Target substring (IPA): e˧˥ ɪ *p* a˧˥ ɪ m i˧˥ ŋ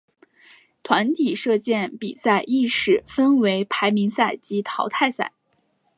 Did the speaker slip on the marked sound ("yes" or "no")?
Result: yes